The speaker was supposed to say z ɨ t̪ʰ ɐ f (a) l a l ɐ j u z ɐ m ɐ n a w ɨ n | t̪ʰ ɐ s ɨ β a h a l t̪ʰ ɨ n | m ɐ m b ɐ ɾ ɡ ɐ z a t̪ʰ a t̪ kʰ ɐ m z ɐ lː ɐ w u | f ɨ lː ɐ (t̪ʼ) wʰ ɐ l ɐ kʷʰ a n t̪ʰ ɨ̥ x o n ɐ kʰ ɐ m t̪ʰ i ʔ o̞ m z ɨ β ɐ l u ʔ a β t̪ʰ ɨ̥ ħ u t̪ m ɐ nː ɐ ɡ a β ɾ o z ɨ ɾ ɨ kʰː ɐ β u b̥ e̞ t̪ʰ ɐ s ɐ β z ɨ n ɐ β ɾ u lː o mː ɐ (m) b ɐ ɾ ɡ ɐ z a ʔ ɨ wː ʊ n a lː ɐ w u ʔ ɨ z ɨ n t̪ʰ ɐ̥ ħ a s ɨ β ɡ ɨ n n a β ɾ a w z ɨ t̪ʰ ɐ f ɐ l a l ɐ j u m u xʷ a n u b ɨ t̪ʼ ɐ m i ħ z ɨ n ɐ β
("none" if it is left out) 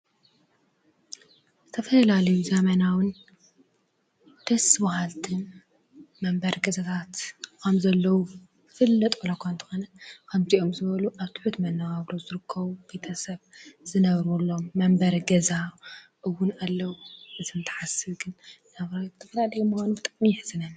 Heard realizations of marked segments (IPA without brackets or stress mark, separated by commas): ɐ, t̪ʼ, m